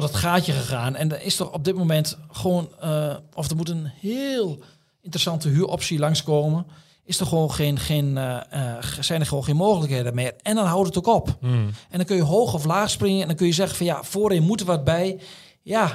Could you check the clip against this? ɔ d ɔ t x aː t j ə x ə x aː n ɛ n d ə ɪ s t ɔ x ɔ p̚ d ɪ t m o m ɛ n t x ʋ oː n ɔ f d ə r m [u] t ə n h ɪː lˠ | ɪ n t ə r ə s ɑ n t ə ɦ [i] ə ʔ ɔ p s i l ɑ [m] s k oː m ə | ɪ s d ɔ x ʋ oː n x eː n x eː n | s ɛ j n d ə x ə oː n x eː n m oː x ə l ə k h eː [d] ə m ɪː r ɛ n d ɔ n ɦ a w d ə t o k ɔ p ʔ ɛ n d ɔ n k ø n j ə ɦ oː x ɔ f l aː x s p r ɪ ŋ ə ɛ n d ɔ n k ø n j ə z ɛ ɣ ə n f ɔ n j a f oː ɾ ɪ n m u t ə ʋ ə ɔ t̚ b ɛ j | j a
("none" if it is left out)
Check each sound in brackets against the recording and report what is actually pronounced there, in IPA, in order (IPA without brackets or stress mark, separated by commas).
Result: u, y, ŋ, d